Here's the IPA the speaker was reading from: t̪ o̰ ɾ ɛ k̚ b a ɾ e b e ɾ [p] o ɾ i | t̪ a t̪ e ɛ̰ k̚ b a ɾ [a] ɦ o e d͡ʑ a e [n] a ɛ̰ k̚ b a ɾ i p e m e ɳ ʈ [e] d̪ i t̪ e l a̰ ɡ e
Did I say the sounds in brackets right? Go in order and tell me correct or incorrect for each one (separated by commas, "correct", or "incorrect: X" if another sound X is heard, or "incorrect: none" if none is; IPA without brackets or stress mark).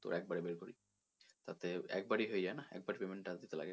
incorrect: k, incorrect: i, correct, incorrect: a